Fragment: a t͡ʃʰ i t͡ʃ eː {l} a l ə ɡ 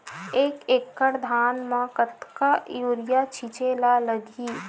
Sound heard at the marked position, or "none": l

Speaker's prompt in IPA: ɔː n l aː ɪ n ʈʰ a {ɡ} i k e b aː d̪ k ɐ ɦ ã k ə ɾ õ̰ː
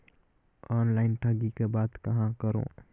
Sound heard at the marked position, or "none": ɡ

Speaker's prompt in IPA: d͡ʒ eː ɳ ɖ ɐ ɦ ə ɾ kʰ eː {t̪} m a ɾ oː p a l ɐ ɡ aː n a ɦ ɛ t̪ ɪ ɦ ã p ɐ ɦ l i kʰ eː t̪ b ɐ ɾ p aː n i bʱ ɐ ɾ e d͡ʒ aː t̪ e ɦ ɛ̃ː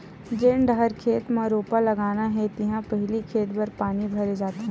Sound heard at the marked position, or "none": t̪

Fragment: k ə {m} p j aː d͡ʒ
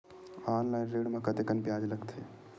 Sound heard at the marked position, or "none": n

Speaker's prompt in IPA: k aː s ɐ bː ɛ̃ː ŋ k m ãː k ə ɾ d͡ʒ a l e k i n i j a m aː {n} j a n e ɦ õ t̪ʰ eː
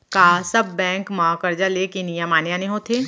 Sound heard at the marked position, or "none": n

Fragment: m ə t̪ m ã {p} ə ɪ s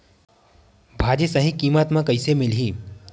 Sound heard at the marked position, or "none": k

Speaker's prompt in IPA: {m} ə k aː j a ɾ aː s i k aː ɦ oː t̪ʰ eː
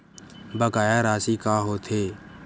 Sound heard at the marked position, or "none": b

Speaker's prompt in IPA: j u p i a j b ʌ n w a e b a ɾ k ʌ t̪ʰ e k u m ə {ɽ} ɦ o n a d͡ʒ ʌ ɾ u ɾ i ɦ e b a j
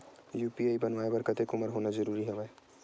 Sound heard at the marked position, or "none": ɾ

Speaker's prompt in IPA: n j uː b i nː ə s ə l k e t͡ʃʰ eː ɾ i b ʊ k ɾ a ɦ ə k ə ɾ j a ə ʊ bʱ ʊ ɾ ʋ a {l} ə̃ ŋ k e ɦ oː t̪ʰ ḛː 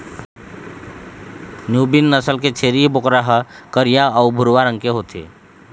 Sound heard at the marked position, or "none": ɾ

